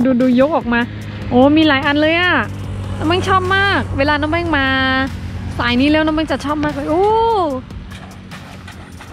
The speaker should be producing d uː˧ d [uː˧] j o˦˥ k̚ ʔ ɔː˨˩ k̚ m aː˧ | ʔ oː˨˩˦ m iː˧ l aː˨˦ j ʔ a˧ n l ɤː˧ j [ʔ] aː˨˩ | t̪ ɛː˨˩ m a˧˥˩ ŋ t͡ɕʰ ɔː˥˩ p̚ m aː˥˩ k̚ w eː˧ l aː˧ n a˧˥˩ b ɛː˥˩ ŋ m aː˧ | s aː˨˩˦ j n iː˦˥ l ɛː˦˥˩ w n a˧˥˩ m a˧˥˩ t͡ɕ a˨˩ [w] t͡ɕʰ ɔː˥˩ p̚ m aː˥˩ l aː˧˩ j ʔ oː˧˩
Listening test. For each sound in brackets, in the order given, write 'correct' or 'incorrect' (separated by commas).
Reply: correct, correct, incorrect